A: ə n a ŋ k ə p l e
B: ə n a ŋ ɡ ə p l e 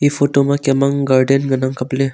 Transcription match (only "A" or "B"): A